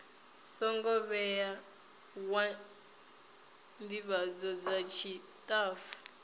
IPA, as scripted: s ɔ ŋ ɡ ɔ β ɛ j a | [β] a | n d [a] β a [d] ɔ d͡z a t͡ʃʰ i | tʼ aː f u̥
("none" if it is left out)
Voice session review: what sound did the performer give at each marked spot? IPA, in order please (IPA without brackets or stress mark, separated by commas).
w, i, d͡z